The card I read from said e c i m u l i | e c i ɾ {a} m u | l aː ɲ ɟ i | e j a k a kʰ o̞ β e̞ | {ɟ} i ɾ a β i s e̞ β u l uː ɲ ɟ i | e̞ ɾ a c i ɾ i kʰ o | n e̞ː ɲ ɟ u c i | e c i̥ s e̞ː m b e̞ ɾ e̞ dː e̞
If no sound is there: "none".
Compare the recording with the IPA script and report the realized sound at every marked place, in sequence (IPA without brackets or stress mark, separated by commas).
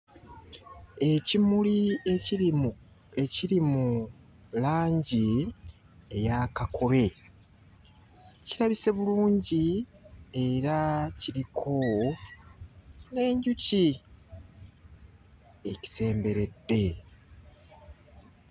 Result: i, c